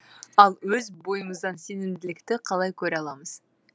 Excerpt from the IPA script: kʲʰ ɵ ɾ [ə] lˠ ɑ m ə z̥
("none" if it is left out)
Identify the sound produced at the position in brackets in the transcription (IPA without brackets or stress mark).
ɑ